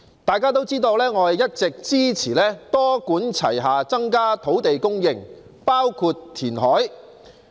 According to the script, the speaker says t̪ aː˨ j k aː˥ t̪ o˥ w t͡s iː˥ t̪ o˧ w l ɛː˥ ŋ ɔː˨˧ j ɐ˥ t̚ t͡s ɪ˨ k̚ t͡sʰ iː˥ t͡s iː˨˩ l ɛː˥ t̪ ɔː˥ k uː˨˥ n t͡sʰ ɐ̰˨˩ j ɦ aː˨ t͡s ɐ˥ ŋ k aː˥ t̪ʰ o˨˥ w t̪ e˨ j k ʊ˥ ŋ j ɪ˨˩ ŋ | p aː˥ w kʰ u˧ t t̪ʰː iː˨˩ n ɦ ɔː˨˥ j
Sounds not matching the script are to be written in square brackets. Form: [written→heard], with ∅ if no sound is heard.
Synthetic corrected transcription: t̪ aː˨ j k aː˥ t̪ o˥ w t͡s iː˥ t̪ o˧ w l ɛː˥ ŋ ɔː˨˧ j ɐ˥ t̚ t͡s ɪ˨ k̚ [t͡sʰ→t͡s] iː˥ [t͡s→t͡sʰ] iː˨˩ l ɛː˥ t̪ ɔː˥ k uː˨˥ n t͡sʰ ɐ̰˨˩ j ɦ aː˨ t͡s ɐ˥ ŋ k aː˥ t̪ʰ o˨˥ w t̪ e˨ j k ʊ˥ ŋ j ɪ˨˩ ŋ | p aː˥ w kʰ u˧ t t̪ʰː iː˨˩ n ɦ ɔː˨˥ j